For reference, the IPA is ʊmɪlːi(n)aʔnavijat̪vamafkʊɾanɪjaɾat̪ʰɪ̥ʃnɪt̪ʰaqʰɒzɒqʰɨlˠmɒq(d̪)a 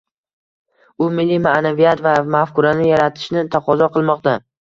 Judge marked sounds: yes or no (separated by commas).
no, no